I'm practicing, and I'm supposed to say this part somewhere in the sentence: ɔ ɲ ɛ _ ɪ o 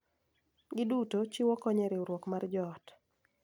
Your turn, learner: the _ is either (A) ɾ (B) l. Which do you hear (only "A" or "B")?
A